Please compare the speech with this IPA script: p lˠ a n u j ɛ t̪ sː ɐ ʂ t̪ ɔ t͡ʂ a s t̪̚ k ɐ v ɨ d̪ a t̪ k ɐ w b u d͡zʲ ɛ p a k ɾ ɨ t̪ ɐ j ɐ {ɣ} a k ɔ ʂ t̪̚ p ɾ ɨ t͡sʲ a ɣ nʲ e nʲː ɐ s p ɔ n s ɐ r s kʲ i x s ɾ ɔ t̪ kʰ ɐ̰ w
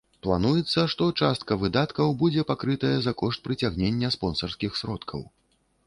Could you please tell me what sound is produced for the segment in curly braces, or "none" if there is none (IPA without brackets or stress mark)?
z